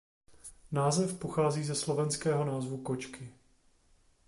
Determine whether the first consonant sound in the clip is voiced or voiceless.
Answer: voiced